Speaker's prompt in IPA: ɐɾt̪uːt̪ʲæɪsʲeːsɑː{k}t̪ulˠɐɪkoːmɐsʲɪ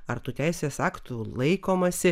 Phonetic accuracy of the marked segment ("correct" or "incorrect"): correct